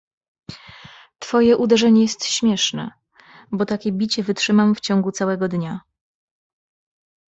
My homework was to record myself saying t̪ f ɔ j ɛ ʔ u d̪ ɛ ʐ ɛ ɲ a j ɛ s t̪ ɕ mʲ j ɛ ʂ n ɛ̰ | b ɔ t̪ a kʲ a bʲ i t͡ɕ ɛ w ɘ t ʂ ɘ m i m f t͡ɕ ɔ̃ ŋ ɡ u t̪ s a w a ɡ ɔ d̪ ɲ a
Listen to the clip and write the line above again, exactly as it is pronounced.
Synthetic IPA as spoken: t̪ f ɔ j ɛ ʔ u d̪ ɛ ʐ ɛ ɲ ɛ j ɛ s t̪ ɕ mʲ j ɛ ʂ n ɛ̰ | b ɔ t̪ a kʲ ɛ bʲ i t͡ɕ ɛ v ɘ t ʂ ɘ m a m f t͡ɕ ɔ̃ ŋ ɡ u t̪ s a w ɛ ɡ ɔ d̪ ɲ a

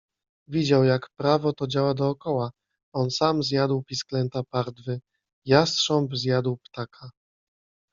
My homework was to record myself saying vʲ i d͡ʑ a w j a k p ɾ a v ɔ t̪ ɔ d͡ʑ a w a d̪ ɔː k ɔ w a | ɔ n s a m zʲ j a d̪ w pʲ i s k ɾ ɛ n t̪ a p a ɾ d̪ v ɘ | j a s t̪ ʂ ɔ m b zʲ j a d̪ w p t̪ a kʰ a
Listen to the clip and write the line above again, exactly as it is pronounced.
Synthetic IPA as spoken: vʲ i d͡ʑ a w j a k p ɾ a v ɔ t̪ ɔ d͡ʑ a w a d̪ ɔː k ɔ w a | ɔ n s a m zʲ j a d̪ w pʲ i s k l ɛ n t̪ a p a ɾ d̪ v ɘ | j a s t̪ ʂ ɔ m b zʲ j a d̪ w p t̪ a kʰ a

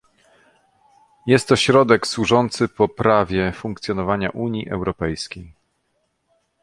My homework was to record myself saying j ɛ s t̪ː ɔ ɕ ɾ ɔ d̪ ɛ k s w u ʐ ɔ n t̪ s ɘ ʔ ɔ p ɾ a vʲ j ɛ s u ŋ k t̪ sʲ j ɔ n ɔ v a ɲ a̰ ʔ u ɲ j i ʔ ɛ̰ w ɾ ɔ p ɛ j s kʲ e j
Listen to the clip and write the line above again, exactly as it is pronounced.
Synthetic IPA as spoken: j ɛ s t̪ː ɔ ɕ ɾ ɔ d̪ ɛ k s w u ʐ ɔ n t̪ s ɘ p ɔ p ɾ a vʲ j ɛ f u ŋ k t̪ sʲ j ɔ n ɔ v a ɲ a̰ ʔ u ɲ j i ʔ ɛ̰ w ɾ ɔ p ɛ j s kʲ e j

